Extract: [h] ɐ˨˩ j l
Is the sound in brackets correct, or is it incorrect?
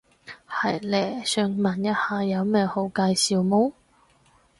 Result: correct